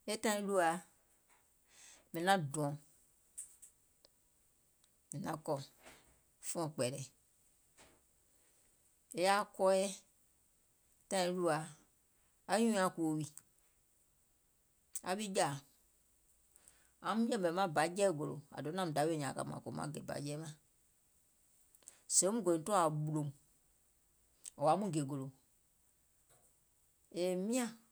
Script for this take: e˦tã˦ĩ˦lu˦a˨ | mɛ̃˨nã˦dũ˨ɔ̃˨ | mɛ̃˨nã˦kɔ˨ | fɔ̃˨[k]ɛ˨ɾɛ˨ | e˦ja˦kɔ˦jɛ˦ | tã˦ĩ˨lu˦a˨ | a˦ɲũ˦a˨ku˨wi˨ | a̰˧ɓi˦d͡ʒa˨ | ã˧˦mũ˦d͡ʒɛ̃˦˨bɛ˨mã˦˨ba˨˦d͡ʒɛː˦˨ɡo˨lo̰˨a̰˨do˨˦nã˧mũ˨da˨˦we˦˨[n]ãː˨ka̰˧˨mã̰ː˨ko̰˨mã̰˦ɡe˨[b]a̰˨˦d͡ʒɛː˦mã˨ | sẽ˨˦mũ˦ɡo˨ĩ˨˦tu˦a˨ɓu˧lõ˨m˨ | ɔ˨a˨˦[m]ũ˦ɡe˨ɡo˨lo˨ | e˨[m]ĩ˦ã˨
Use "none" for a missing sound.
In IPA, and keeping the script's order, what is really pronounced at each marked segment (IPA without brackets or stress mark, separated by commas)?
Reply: k͡p, ɲ, b, m, m